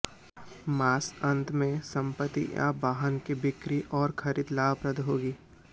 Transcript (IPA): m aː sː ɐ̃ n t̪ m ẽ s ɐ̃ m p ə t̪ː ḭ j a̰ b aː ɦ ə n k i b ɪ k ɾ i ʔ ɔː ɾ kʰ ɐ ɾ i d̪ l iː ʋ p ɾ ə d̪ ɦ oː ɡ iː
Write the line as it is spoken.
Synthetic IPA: m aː s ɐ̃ n t̪ m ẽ s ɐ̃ m p ə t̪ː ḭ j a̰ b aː ɦ ə n k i b ɪ k ɾ i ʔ ɔː ɾ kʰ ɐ ɾ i d̪ l aː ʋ p ɾ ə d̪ ɦ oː ɡ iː

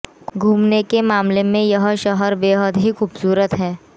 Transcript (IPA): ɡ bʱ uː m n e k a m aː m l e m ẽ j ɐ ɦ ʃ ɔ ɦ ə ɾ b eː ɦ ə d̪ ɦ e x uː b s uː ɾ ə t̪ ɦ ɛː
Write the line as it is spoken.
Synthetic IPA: ɡ ɡʱ uː m n e k e m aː m l e m ẽ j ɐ ɦ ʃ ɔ ɦ ə ɾ b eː ɦ ə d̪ ɦ i x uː b s uː ɾ ə t̪ ɦ ɛː

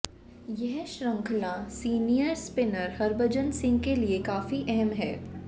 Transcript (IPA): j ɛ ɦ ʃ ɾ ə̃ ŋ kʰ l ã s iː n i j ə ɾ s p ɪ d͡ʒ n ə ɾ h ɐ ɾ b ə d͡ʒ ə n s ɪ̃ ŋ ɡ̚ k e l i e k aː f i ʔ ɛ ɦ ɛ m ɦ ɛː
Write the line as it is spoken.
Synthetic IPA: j ɛ ɦ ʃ ɾ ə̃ ŋ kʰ l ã s iː n i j ə ɾ s p ɪ n ə ɾ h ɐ ɾ b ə d͡ʒ ə n s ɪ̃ ŋ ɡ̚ k e l i e k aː f i ʔ ɛ ɦ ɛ m ɦ ɛː

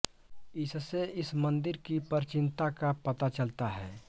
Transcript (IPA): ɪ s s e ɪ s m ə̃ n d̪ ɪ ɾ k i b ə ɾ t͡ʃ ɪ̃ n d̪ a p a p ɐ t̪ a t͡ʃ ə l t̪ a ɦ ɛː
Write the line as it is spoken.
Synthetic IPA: ɪ s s e ɪ s m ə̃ n d̪ ɪ ɾ k i p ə ɾ t͡ʃ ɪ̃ n t̪ a k a p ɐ t̪ a t͡ʃ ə l t̪ a ɦ ɛː

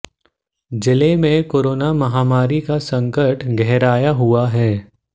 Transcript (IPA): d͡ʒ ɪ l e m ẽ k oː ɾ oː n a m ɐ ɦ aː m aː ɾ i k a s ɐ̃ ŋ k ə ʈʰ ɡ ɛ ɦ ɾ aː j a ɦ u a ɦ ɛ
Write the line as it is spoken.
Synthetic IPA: d͡ʒ ɪ l e m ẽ k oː ɾ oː n a m ɐ ɦ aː m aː ɾ i k a s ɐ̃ ŋ k ə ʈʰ ɡ ɛ ɦ ɾ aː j a ɦ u a ɦ ɛː

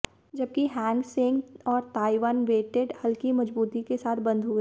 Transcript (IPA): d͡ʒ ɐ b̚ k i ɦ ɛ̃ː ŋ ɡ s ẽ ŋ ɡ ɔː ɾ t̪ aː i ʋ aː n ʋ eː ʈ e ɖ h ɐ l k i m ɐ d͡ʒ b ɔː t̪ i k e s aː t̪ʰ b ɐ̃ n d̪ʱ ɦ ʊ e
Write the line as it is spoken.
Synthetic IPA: d͡ʒ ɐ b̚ k i ɦ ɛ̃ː ŋ ɡ s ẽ ŋ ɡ ɔː ɾ t̪ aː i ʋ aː n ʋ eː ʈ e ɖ h ɐ l k i m ɐ d͡ʒ b uː t̪ i k e s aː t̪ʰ b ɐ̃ n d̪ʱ ɦ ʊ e

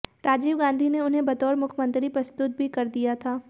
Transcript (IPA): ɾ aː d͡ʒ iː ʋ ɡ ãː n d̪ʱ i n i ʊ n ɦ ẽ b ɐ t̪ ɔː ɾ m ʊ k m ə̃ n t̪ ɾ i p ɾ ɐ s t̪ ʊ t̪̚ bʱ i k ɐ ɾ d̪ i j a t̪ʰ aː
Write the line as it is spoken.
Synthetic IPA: ɾ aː d͡ʒ iː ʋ ɡ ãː n d̪ʱ i n e ʊ n ɦ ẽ b ɐ t̪ ɔː ɾ m ʊ kʰ m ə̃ n t̪ ɾ i p ɾ ɐ s t̪ ʊ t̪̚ bʱ i k ɐ ɾ d̪ i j a t̪ʰ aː

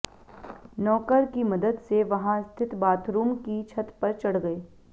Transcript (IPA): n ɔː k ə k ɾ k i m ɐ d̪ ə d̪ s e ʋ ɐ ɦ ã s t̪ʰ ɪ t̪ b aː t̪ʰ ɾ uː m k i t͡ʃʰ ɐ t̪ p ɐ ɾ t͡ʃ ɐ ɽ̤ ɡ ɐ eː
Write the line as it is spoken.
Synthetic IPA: n ɔː k ə ɾ k i m ɐ d̪ ə d̪ s e ʋ ɐ ɦ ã s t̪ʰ ɪ t̪ b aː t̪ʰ ɾ uː m k i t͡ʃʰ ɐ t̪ p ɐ ɾ t͡ʃ ɐ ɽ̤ ɡ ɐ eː

